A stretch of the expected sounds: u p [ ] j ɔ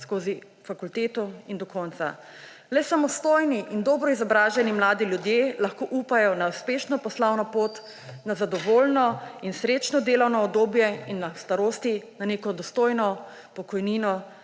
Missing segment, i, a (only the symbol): a